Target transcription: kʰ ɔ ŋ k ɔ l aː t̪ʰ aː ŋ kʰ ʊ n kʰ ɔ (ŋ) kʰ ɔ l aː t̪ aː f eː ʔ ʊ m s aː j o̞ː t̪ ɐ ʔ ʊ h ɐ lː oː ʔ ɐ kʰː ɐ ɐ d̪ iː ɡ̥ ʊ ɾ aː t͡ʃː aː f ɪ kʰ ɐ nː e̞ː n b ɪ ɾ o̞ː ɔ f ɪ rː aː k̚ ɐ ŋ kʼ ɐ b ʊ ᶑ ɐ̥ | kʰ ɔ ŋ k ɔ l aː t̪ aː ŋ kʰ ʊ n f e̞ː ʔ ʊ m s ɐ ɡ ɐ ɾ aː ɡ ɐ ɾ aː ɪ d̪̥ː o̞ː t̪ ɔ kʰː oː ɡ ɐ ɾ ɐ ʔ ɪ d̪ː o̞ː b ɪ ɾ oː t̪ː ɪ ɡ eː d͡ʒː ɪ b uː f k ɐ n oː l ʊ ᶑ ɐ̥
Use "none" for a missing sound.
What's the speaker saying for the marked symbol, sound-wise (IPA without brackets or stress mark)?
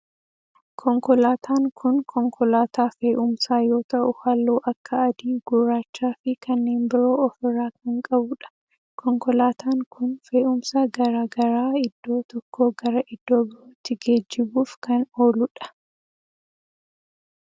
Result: ŋ